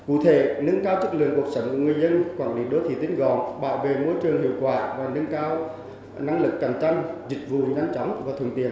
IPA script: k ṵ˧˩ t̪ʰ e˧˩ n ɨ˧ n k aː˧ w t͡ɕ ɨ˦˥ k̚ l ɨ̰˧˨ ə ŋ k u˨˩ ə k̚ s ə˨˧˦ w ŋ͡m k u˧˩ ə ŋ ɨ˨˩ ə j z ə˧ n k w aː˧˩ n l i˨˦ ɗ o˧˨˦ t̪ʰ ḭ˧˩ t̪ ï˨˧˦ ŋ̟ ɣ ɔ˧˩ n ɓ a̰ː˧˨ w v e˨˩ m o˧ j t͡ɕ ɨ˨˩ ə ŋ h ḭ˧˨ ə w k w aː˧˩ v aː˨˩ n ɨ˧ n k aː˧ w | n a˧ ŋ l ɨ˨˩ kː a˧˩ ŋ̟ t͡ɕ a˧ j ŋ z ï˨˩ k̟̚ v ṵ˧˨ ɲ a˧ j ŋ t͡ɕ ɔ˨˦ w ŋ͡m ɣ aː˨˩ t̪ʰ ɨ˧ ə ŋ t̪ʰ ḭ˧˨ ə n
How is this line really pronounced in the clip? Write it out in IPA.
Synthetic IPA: k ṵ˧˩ t̪ʰ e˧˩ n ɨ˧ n k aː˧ w t͡ɕ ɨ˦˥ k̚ l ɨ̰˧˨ ə ŋ k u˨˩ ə k̚ s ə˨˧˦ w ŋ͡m k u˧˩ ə ŋ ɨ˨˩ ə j z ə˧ n k w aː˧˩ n l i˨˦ ɗ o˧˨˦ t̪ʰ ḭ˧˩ t̪ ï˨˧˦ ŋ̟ ɣ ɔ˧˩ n ɓ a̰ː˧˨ w v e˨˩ m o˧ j t͡ɕ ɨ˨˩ ə ŋ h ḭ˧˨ ə w k w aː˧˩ v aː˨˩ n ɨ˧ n k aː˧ w | n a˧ ŋ l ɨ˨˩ kː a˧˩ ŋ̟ t͡ɕ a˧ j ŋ z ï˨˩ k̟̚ v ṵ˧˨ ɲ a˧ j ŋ t͡ɕ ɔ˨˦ w ŋ͡m v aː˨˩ t̪ʰ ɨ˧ ə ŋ t̪ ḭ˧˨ ə n